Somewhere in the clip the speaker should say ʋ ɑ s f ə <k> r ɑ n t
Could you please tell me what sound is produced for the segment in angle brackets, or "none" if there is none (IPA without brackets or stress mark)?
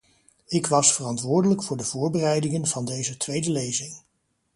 none